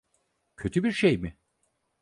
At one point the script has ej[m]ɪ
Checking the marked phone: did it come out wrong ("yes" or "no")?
no